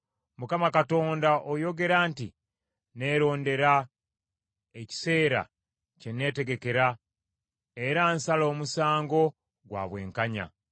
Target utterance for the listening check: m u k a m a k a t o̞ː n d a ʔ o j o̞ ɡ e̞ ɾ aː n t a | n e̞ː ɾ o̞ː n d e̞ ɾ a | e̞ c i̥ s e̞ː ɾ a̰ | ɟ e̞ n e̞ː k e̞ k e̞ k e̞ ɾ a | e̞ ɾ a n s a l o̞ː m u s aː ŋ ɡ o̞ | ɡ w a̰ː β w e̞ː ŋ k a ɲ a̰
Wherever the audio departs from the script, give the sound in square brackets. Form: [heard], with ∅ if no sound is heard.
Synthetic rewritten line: m u k a m a k a t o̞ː n d a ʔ o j o̞ ɡ e̞ ɾ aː n t [i] | n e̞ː ɾ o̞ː n d e̞ ɾ a | e̞ c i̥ s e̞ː ɾ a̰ | [c] e̞ n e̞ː [t] e̞ [ɡ] e̞ k e̞ ɾ a | e̞ ɾ a n s a l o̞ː m u s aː ŋ ɡ o̞ | ɡ w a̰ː β w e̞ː ŋ k a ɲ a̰

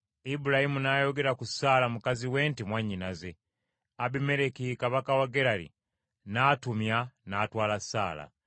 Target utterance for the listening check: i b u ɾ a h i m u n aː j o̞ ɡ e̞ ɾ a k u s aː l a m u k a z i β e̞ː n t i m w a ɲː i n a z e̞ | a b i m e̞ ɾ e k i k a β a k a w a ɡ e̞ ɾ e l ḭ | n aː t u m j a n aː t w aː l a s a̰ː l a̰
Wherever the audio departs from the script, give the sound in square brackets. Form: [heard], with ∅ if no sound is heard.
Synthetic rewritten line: i b u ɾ a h i m u n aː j o̞ ɡ e̞ ɾ a k u s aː l a m u k a z i [w] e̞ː n t i m w a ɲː i n a z e̞ | a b i m e̞ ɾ e k i k a β a k a w a ɡ e̞ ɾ [a] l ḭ | n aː t u m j a n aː t w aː l a s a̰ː l a̰

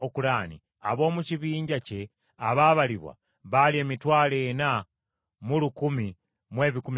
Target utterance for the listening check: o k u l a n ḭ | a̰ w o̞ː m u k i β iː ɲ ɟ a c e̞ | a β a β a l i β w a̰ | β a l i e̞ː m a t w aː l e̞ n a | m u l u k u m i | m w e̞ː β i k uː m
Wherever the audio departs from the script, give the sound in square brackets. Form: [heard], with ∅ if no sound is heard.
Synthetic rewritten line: o k u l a n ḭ | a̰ [β] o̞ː m u [c] i β iː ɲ ɟ a c e̞ | a β a β a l i β w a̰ | β a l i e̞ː m [i] t w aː l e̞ n a | m u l u k u m i | m w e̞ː β i k [u] m

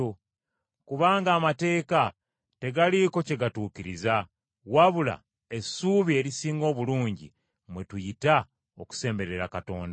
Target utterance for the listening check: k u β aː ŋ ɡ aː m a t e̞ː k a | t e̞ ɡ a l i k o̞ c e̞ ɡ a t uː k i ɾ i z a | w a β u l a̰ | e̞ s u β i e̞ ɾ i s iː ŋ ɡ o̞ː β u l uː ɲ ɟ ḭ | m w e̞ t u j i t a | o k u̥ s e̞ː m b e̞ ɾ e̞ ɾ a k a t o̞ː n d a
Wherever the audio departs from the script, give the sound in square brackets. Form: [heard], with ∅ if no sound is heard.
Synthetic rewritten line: k u β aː ŋ ɡ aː m a t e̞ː k a | t e̞ ɡ a l i k o̞ c e̞ ɡ a t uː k i ɾ i z a | w a β u l a̰ | e̞ s u β i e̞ ɾ i s iː ŋ ɡ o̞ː β u l uː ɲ ɟ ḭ | m w e̞ t u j i t a | o k u̥ s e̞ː m b e̞ ɾ e̞ ɾ a k a t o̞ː n d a

